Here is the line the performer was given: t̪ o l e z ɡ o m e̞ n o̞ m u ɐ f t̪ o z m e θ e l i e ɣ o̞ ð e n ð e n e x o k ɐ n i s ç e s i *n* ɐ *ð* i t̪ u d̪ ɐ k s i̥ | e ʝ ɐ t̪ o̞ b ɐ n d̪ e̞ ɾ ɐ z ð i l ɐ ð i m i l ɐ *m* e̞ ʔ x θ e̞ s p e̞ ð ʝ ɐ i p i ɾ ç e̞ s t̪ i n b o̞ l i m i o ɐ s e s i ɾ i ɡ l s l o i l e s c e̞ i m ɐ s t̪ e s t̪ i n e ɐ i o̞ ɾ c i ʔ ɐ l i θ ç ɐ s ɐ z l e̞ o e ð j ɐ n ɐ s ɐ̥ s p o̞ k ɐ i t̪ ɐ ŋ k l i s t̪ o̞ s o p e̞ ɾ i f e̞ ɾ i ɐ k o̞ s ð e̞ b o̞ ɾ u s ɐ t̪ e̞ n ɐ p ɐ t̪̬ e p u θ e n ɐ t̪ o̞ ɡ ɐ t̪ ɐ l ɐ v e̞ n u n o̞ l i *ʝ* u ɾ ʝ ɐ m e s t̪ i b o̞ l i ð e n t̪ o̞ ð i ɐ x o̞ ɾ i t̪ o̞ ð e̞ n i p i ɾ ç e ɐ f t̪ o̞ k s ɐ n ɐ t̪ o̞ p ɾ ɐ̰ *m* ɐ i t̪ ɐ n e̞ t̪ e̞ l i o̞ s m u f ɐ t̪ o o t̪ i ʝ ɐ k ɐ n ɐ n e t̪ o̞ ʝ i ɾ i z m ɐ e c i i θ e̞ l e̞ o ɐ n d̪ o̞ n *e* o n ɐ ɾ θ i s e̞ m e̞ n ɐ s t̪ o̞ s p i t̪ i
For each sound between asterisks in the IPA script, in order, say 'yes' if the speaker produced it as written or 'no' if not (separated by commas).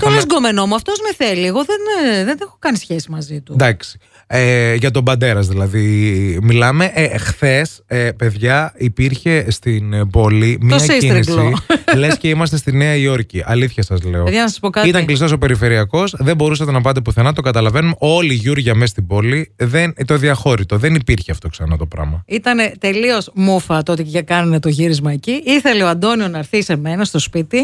no, no, yes, yes, yes, no